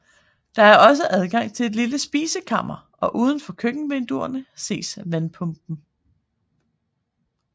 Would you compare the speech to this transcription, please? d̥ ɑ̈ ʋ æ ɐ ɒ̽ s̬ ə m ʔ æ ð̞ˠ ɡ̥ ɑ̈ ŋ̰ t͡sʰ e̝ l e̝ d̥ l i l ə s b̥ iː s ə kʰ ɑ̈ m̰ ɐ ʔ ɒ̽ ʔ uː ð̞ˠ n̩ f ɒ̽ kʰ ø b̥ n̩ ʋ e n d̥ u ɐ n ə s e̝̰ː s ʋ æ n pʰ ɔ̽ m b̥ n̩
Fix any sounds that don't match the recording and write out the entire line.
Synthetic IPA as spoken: d̥ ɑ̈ æ ɐ ɒ̽ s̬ ə ʔ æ ð̞ˠ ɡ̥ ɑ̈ ŋ̰ t͡sʰ e̝ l e̝ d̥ l i l ə s b̥ iː s ə kʰ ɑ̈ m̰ ɐ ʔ ɒ̽ ʔ uː ð̞ˠ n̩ f ɒ̽ kʰ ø ɡ̥ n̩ ʋ e n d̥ u ɐ n ə s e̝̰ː s ʋ æ n pʰ ɔ̽ m b̥ n̩

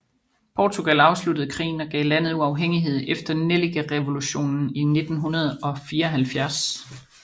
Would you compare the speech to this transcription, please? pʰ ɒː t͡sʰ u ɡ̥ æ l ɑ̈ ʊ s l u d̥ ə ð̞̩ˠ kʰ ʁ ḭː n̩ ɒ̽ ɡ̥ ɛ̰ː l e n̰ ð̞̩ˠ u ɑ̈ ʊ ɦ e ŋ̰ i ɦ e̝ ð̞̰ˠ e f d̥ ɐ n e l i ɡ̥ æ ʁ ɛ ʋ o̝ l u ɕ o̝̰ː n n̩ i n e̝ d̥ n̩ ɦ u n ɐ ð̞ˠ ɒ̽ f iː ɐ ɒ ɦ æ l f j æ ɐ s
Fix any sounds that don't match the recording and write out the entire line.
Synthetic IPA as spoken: pʰ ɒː t͡sʰ u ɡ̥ æ l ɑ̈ ʊ s l u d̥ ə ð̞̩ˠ kʰ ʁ ḭː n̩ ɒ̽ ɡ̥ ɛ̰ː l æ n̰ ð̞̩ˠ u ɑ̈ ʊ ɦ e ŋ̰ i ɦ e̝ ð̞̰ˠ e f d̥ ɐ n e l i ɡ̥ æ ʁ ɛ ʋ o̝ l u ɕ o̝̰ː n n̩ i n e̝ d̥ n̩ ɦ u n ɐ ð̞ˠ ɒ̽ f iː ɐ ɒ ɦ æ l f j æ ɐ s

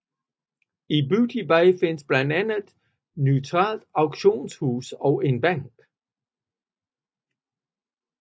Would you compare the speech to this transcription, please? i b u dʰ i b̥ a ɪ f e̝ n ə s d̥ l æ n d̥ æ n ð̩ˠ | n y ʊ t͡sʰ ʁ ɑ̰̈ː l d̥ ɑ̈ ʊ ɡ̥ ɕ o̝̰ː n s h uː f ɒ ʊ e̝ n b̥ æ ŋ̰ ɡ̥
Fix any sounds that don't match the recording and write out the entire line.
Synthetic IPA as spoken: i b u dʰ i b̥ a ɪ f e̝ n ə s b̥ l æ n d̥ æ n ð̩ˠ | n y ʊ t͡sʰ ʁ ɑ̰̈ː l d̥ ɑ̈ ʊ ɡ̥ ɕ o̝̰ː n s h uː s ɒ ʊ e̝ n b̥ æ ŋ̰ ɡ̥

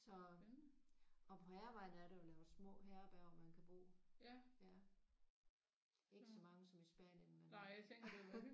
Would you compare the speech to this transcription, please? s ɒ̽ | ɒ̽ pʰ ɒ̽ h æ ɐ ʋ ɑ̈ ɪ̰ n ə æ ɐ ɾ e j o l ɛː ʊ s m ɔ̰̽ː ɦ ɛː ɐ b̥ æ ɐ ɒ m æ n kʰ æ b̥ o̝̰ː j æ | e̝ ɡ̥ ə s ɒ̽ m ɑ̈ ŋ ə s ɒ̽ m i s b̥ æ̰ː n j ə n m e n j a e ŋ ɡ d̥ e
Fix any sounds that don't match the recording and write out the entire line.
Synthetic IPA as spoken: s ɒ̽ | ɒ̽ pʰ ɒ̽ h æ ɐ ʋ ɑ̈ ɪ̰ n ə æ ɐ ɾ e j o l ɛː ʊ s m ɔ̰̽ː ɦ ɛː ɐ b̥ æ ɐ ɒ m æ n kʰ æ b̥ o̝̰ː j æ | e̝ ɡ̥ ə s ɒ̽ m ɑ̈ ŋ ə s ɒ̽ m i s b̥ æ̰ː n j ə n m e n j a e ŋ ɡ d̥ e

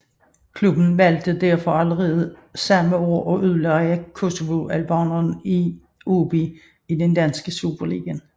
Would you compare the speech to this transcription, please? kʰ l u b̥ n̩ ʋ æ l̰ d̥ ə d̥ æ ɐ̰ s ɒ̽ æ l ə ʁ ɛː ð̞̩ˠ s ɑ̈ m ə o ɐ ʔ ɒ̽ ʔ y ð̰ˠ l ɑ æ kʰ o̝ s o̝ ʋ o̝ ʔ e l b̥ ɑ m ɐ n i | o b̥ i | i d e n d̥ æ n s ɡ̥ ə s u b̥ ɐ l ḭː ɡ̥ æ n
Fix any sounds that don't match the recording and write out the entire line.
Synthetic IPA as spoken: kʰ l u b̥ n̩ ʋ æ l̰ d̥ ə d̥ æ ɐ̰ f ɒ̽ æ l ə ʁ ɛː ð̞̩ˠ s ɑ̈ m ə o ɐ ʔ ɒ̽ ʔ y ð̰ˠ l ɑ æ kʰ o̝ s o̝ ʋ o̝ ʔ æ l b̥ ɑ n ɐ n i | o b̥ i | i d e n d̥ æ n s ɡ̥ ə s u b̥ ɐ l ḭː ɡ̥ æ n

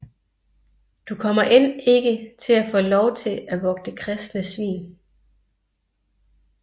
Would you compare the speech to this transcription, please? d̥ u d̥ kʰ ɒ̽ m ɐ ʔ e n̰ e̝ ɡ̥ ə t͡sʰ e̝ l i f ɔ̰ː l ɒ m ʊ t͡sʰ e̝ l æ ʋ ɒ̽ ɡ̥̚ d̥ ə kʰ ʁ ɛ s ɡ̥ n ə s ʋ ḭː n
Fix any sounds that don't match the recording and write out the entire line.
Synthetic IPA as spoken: d̥ u kʰ ɒ̽ m ɐ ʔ e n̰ e̝ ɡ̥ ə t͡sʰ e̝ l æ f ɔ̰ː l ɒ ʊ t͡sʰ e̝ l æ ʋ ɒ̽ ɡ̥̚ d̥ ə kʰ ʁ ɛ s d̥ n ə s ʋ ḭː n

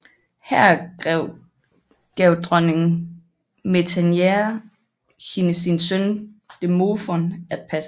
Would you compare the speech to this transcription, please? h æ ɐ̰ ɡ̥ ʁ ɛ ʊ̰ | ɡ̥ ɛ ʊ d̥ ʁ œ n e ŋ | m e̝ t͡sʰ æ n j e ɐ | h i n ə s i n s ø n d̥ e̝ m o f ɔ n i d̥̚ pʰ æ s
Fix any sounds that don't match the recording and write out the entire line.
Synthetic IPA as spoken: h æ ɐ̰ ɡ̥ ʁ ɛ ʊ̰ | ɡ̥ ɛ ʊ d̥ ʁ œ n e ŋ | m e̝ t͡sʰ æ n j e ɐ | h i n ə s i n s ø n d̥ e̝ m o f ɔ n æ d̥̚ pʰ æ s

